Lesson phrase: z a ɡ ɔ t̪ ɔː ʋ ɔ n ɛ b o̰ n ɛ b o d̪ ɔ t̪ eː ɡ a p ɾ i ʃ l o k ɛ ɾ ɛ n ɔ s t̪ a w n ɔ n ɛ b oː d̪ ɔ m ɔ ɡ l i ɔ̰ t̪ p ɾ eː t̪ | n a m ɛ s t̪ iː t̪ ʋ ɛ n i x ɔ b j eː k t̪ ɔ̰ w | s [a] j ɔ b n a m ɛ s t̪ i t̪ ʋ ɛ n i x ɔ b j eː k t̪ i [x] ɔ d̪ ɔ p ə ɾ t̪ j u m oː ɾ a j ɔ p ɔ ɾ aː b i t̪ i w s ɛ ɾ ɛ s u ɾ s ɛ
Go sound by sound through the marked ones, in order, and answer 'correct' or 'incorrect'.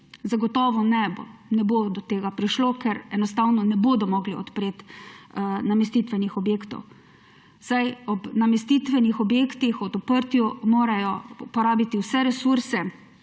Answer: correct, correct

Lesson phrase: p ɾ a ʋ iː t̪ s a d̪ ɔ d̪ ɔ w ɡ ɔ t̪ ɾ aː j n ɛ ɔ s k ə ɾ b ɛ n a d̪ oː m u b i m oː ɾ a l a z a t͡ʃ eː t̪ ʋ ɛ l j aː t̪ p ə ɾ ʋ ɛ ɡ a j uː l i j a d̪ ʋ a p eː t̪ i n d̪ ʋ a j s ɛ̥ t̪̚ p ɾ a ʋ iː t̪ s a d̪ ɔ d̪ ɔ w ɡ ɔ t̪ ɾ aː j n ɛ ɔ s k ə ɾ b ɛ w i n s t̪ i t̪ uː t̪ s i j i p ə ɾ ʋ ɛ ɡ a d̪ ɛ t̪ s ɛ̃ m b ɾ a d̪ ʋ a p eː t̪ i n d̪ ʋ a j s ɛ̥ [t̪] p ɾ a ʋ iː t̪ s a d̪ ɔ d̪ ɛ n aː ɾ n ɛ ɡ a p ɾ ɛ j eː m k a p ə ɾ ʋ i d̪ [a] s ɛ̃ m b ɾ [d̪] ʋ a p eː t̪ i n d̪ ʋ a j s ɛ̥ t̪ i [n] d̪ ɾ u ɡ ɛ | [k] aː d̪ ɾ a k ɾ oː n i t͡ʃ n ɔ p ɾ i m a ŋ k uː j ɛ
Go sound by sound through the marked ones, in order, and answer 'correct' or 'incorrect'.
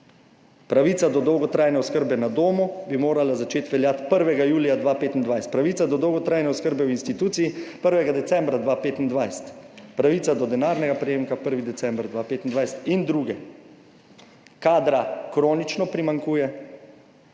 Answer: correct, incorrect, correct, correct, correct

